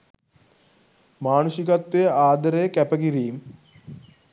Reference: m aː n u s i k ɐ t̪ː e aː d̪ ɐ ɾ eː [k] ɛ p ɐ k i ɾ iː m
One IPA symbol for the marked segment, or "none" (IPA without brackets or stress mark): k